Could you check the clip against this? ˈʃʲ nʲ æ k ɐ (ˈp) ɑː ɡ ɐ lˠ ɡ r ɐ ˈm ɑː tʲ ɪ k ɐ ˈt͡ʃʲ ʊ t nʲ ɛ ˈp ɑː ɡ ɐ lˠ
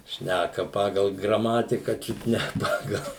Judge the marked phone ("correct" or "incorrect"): correct